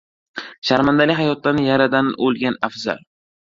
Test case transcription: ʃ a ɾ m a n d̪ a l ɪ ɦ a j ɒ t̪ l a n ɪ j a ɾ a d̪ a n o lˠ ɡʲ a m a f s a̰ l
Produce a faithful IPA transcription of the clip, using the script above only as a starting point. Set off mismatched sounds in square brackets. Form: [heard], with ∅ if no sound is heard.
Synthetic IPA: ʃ a ɾ m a n d̪ a l ɪ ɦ a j ɒ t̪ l a n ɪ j a ɾ a d̪ a n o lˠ ɡʲ a [n] a f [z] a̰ l